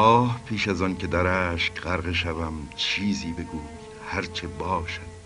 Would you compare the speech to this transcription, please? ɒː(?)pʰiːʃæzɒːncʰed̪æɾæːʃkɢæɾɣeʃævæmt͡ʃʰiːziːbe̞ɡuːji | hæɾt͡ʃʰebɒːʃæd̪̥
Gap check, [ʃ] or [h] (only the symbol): h